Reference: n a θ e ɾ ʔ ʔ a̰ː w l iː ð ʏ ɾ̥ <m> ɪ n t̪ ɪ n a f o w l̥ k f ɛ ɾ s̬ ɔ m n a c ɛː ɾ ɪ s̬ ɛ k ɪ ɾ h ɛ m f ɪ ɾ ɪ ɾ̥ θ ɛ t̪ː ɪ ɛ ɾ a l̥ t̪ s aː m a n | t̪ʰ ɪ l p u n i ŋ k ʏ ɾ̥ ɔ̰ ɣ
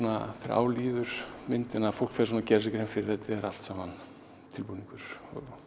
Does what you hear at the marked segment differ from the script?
no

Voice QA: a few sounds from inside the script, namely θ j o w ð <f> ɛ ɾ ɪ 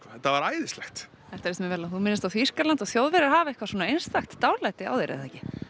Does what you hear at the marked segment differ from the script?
yes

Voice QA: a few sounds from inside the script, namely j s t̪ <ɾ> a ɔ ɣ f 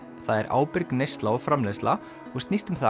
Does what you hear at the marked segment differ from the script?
yes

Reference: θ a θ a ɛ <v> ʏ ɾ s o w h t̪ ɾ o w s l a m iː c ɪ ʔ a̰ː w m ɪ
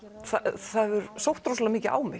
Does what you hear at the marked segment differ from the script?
no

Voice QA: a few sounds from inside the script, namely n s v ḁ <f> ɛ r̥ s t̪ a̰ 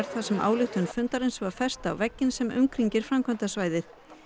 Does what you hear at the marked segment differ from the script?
no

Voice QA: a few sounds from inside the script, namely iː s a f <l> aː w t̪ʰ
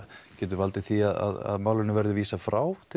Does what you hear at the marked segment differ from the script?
yes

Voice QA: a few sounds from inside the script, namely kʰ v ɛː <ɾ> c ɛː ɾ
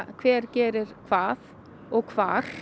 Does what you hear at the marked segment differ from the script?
no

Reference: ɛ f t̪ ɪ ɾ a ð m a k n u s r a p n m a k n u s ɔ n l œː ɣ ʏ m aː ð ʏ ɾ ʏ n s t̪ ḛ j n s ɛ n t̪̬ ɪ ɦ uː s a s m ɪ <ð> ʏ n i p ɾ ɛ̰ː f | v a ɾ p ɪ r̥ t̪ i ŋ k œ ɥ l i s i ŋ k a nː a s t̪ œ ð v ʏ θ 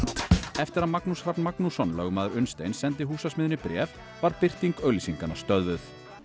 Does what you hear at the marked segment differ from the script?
no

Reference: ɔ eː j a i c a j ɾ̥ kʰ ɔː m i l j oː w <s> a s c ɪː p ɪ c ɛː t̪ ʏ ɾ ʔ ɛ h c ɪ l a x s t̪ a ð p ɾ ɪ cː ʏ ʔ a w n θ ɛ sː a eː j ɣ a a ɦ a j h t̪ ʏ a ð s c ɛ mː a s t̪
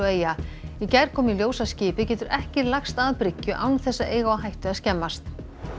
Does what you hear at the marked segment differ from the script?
no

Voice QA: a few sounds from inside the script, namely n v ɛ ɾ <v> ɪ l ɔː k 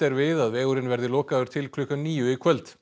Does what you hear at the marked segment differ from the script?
yes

